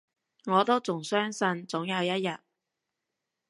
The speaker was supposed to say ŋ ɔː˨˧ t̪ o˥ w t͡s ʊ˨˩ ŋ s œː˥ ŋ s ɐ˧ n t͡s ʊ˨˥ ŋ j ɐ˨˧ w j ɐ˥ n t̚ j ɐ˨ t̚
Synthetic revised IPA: ŋ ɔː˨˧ t̪ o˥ w t͡s ʊ˨˩ ŋ s œː˥ ŋ s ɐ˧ n t͡s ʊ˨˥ ŋ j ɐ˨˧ w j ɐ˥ t̚ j ɐ˨ t̚